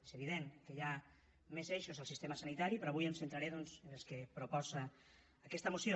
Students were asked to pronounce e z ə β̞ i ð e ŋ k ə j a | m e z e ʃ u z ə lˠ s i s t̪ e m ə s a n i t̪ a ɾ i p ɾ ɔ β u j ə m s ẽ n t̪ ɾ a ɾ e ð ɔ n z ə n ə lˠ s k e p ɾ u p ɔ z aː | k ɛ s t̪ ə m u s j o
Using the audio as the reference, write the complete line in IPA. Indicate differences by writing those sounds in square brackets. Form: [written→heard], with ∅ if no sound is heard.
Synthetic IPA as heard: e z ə β̞ i ð e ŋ k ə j a | m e z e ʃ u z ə lˠ s i s t̪ e m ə s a n i t̪ a ɾ i p ɾ ɔ β u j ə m s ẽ n t̪ ɾ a ɾ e ð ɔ n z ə n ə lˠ s k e p ɾ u p ɔ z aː | k ɛ s t̪ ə m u s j o